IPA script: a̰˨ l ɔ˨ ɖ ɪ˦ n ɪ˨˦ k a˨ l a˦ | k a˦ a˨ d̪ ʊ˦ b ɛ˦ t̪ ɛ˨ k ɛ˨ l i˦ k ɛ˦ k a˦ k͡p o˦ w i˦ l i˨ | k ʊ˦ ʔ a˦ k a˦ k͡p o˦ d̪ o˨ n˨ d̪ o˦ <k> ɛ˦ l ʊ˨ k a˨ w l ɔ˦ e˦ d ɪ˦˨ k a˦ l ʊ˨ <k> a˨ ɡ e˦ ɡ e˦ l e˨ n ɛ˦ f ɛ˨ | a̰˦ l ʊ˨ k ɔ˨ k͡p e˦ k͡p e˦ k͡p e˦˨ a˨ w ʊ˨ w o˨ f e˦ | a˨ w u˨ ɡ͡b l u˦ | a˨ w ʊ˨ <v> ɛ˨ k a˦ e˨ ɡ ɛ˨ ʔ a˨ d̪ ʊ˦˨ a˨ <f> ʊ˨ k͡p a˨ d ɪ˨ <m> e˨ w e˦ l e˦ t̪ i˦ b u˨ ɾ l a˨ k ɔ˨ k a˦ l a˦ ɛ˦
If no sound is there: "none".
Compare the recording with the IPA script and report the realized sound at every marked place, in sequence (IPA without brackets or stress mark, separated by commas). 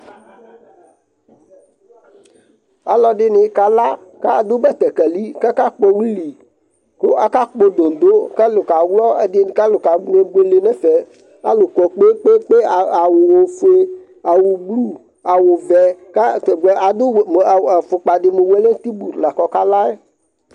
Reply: k, k, v, f, m